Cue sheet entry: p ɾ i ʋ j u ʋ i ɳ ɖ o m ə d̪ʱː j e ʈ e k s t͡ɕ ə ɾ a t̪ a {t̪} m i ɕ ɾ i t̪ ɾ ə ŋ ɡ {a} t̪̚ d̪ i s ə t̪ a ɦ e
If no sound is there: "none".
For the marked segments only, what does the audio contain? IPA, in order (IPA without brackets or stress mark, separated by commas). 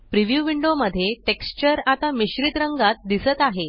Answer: none, a